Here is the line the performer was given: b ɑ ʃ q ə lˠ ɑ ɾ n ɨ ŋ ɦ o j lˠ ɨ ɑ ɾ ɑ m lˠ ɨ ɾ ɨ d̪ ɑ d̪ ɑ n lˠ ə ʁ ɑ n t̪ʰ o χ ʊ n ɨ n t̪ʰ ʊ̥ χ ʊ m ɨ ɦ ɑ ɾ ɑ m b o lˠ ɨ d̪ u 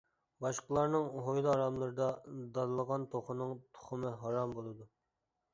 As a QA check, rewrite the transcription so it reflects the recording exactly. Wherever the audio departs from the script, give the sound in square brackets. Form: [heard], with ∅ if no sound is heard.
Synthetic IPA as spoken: b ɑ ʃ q ə lˠ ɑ ɾ n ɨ ŋ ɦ o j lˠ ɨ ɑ ɾ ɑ m lˠ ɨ ɾ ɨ d̪ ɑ d̪ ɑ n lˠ ə ʁ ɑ n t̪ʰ o χ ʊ n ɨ [ŋ] t̪ʰ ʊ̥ χ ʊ m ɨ ɦ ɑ ɾ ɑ m b o lˠ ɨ d̪ u